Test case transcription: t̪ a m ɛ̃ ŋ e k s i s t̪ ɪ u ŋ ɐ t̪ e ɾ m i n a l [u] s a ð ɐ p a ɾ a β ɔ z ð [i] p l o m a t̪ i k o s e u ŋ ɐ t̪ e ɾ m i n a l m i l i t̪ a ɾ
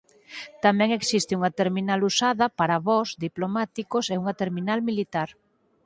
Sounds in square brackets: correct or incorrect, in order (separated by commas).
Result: correct, correct